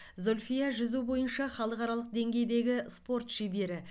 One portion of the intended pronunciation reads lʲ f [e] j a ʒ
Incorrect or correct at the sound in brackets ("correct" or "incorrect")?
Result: incorrect